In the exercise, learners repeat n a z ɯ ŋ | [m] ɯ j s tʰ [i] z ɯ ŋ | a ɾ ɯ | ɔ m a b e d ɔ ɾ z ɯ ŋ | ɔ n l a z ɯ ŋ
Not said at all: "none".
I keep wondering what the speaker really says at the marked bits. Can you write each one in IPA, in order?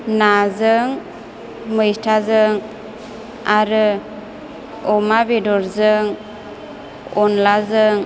m, a

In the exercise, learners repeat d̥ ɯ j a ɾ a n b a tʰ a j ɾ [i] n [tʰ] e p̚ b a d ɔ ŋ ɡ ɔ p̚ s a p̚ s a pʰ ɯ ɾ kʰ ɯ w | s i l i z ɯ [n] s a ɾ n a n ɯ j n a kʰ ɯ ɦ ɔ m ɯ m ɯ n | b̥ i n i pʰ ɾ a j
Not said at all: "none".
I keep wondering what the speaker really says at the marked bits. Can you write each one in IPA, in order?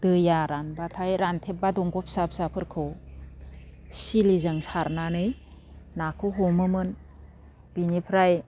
a, tʰ, ŋ

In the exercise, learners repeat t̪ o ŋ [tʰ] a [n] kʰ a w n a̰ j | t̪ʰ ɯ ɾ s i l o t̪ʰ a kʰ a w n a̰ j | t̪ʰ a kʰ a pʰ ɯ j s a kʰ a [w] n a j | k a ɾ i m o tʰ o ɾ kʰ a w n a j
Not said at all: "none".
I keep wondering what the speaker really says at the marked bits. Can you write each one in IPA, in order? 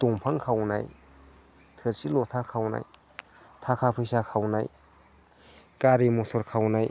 pʰ, ŋ, w

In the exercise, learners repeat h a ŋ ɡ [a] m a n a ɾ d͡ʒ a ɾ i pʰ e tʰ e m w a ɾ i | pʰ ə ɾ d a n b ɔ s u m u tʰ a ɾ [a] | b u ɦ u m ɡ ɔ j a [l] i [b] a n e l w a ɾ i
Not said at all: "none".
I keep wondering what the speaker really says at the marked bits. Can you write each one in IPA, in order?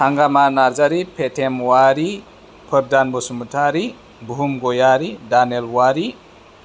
a, i, ɾ, d

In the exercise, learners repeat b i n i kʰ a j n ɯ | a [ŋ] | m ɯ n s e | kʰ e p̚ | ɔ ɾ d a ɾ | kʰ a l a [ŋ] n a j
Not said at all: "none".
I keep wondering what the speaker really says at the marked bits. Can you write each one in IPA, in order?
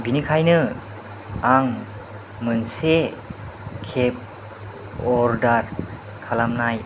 ŋ, m

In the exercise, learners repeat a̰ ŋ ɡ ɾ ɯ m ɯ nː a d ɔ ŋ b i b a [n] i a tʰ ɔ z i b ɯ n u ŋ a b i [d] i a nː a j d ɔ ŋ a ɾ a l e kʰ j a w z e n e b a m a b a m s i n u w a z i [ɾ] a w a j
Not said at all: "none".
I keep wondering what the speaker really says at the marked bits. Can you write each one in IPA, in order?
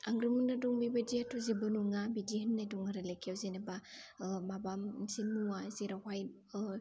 d, d, ɾ

